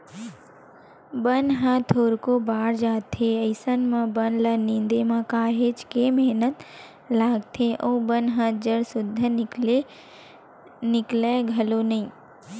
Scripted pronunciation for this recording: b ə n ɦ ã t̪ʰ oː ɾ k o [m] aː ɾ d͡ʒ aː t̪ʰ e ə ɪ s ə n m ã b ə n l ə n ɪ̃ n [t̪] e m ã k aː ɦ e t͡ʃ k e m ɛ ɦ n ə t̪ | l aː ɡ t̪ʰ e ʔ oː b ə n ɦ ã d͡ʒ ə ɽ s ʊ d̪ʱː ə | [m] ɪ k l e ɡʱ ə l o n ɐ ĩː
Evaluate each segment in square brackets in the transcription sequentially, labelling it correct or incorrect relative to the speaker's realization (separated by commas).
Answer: incorrect, incorrect, incorrect